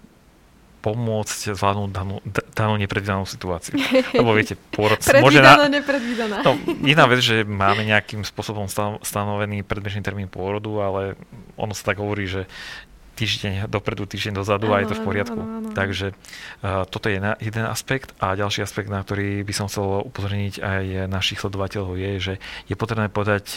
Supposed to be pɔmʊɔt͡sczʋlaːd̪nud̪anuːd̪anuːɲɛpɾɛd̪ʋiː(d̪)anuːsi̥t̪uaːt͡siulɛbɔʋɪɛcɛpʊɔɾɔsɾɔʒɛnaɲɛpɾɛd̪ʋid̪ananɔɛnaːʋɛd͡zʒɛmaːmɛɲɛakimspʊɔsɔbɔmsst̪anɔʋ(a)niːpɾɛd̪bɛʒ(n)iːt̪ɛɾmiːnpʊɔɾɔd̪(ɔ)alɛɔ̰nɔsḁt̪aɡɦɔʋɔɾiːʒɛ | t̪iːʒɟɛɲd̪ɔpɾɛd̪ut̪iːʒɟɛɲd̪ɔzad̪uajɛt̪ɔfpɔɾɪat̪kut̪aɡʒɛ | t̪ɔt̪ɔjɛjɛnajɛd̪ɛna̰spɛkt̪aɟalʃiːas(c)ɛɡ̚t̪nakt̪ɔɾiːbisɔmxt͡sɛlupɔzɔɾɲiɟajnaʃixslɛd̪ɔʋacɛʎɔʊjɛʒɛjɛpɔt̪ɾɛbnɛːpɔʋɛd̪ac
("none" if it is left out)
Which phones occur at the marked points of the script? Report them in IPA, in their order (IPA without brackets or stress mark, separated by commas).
d̪, ɛ, n, u, p